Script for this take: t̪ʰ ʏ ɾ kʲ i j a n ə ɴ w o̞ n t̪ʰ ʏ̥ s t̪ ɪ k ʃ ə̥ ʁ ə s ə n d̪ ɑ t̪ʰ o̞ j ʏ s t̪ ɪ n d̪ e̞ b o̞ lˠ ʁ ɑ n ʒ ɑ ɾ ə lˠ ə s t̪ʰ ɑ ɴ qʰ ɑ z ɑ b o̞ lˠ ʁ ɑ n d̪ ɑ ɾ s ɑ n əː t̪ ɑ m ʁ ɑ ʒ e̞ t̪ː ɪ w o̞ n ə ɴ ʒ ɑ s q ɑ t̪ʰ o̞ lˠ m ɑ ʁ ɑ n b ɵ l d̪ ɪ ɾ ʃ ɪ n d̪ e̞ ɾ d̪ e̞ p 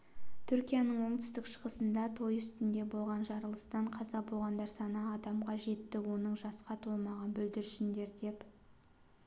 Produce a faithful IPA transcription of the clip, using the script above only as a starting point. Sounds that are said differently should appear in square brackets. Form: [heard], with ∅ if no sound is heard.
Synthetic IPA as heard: t̪ʰ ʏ ɾ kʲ i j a n ə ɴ w o̞ [ɴ] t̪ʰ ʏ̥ s t̪ ɪ k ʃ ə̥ ʁ ə s ə n d̪ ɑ t̪ʰ o̞ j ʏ s t̪ ɪ n d̪ e̞ b o̞ lˠ ʁ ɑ n ʒ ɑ ɾ ə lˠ ə s [t̪] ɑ ɴ qʰ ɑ z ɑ b o̞ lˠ ʁ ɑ n d̪ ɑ ɾ s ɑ n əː [d̪] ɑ m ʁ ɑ ʒ e̞ t̪ː ɪ w o̞ n ə ɴ ʒ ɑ s q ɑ t̪ʰ o̞ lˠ m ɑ ʁ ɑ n b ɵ l d̪ ɪ ɾ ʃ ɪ n d̪ e̞ ɾ d̪ e̞ p